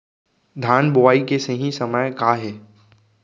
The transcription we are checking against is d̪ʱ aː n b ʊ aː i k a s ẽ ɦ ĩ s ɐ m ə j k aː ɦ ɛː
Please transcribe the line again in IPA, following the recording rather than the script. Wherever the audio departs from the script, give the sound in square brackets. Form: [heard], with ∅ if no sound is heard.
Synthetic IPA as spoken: d̪ʱ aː n b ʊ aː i k [e] s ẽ ɦ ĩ s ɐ m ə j k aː ɦ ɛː